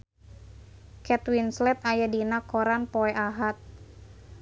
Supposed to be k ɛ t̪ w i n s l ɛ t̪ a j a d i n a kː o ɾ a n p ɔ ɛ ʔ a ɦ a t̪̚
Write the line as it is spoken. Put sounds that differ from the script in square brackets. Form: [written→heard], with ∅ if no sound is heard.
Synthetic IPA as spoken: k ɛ t̪ w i n s l ɛ t̪ a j a d i n a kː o ɾ a n p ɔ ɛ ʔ a ɦ a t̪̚